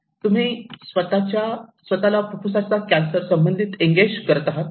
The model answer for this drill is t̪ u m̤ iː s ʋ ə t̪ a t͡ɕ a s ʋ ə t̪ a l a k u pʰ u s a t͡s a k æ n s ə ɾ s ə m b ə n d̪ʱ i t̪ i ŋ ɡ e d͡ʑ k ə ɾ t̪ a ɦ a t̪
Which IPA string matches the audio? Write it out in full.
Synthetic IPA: t̪ u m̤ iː s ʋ ə t̪ a t͡ɕ a s ʋ ə t̪ a l a p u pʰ u s a t͡s a k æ n s ə ɾ s ə m b ə n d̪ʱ i t̪ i ŋ ɡ e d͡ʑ k ə ɾ t̪ a ɦ a t̪